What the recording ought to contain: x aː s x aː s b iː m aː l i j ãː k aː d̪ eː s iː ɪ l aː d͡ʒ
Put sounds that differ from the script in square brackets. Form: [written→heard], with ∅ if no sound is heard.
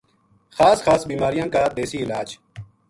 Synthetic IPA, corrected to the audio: x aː s x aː s b iː m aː [l→ɾ] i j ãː k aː d̪ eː s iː ɪ l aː d͡ʒ